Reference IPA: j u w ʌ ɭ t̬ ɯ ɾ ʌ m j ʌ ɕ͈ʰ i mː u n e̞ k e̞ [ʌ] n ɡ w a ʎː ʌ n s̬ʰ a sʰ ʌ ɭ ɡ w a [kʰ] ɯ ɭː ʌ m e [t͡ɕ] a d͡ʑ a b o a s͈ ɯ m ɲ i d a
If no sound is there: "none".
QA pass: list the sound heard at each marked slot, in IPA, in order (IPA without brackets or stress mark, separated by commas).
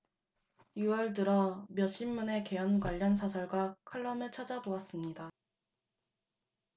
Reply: ʌ, kʰ, t͡ɕʰ